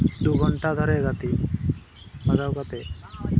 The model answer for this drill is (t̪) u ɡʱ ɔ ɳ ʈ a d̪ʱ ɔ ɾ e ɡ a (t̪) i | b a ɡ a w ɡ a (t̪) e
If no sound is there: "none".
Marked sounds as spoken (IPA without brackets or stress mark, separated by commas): d̪, t̪, t̪